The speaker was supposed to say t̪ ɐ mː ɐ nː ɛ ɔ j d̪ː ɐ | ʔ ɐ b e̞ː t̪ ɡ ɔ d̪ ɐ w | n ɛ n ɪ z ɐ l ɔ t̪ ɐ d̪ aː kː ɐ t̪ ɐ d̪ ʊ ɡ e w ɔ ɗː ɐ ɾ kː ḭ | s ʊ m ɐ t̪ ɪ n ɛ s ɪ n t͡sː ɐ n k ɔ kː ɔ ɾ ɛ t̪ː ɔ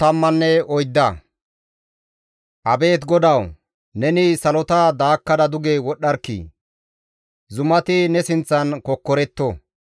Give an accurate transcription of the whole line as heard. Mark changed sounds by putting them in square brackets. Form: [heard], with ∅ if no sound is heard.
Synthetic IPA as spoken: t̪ ɐ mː ɐ nː ɛ ɔ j d̪ː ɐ | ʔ ɐ b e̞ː t̪ ɡ ɔ d̪ ɐ w | n ɛ n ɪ [s] ɐ l ɔ t̪ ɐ d̪ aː kː ɐ [d̪] ɐ d̪ ʊ ɡ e w ɔ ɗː ɐ ɾ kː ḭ | [z] ʊ m ɐ t̪ ɪ n ɛ s ɪ n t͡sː ɐ n k ɔ kː ɔ ɾ ɛ t̪ː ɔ

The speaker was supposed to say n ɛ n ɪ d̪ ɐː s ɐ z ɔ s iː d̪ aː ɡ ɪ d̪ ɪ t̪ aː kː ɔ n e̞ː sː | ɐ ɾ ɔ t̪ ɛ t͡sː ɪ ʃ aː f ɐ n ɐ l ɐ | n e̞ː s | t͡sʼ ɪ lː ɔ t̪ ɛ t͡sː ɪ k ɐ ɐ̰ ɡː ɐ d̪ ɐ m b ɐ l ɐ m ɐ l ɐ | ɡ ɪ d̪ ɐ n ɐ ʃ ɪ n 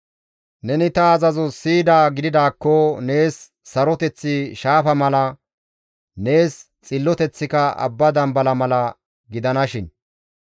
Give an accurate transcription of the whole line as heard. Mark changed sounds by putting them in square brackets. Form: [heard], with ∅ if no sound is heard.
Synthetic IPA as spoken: n ɛ n ɪ [t̪] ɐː [z] ɐ z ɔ s iː d̪ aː ɡ ɪ d̪ ɪ [d̪] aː kː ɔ n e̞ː sː | ɐ ɾ ɔ t̪ ɛ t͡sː ɪ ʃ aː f ɐ [m] ɐ l ɐ | n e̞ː s | t͡sʼ ɪ lː ɔ t̪ ɛ t͡sː ɪ k ɐ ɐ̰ [bː] ɐ d̪ ɐ m b ɐ l ɐ m ɐ l ɐ | ɡ ɪ d̪ ɐ n ɐ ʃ ɪ n

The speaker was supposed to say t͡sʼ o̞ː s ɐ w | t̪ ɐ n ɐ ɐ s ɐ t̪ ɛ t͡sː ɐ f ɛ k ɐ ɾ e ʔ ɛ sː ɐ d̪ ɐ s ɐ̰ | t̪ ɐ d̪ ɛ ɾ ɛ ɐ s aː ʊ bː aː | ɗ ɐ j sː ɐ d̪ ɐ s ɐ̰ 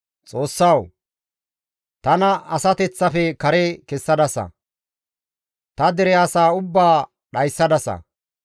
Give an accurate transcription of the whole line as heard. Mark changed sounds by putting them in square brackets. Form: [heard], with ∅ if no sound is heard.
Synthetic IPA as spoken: t͡sʼ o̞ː [sː] ɐ w | t̪ ɐ n ɐ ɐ s ɐ t̪ ɛ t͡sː ɐ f ɛ k ɐ ɾ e [k] ɛ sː ɐ d̪ ɐ s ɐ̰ | t̪ ɐ d̪ ɛ ɾ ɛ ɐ s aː ʊ bː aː | ɗ ɐ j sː ɐ d̪ ɐ s ɐ̰

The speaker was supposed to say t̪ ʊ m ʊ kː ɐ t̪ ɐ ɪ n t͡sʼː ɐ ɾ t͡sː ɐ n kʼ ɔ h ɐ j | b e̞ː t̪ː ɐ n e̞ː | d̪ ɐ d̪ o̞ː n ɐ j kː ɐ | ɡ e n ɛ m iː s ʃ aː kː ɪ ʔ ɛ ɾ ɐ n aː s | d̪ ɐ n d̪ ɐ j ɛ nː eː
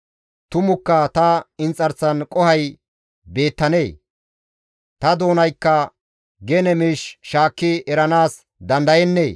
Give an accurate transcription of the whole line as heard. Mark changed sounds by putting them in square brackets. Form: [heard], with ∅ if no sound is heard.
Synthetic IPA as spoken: t̪ ʊ m ʊ kː ɐ t̪ ɐ ɪ n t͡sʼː ɐ ɾ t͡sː ɐ n kʼ ɔ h ɐ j | b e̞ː t̪ː ɐ n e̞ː | [t̪] ɐ d̪ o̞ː n ɐ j kː ɐ | ɡ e n ɛ m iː [ʃ] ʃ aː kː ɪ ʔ ɛ ɾ ɐ n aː s | d̪ ɐ n d̪ ɐ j ɛ nː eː

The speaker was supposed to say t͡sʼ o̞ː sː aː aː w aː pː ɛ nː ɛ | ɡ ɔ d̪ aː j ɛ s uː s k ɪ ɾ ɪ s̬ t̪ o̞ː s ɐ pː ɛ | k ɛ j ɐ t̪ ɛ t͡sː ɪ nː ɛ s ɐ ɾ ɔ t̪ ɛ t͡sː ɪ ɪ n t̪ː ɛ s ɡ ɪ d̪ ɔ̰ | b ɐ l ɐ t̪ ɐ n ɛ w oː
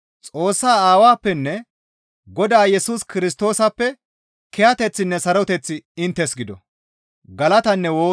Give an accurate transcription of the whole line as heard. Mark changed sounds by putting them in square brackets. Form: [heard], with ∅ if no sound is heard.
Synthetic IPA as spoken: t͡sʼ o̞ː sː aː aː w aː pː ɛ nː ɛ | ɡ ɔ d̪ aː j ɛ s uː s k ɪ ɾ ɪ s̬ t̪ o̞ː s ɐ pː ɛ | k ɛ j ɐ t̪ ɛ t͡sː ɪ nː ɛ s ɐ ɾ ɔ t̪ ɛ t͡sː ɪ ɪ n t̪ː ɛ s ɡ ɪ d̪ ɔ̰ | [ɡ] ɐ l ɐ t̪ ɐ [nː] ɛ w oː

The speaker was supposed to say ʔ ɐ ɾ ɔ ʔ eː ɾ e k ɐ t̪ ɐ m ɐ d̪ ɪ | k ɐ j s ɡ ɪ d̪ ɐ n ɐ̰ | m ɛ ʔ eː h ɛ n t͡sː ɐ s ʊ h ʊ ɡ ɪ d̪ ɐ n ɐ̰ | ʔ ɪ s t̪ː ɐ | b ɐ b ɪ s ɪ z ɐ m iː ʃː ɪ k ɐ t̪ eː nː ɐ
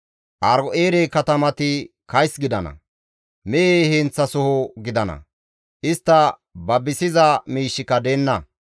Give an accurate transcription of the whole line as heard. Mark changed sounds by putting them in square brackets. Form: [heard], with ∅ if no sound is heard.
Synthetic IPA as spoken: ʔ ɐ ɾ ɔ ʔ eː ɾ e k ɐ t̪ ɐ m ɐ [t̪] ɪ | k ɐ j s ɡ ɪ d̪ ɐ n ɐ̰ | m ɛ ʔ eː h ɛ n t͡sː ɐ s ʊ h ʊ ɡ ɪ d̪ ɐ n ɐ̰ | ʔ ɪ s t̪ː ɐ | b ɐ b ɪ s ɪ z ɐ m iː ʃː ɪ k ɐ [d̪] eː nː ɐ

